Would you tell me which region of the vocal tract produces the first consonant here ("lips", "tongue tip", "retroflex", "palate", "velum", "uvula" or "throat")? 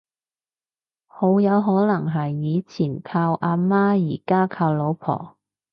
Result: throat